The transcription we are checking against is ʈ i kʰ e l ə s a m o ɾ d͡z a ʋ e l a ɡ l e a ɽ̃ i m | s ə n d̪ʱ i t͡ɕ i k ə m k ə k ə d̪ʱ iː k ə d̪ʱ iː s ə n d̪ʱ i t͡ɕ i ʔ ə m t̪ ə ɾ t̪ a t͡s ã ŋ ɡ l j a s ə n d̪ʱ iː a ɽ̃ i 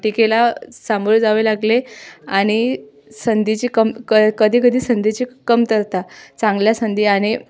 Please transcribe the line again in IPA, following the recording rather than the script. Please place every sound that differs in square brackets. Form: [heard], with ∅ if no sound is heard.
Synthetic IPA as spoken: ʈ i [k] e l [a] s a m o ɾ d͡z a ʋ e l a ɡ l e a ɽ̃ i [∅] | s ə n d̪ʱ i t͡ɕ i k ə m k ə k ə d̪ʱ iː k ə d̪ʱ iː s ə n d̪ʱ i t͡ɕ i [k] ə m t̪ ə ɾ t̪ a t͡s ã ŋ ɡ l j a s ə n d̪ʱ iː a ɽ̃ i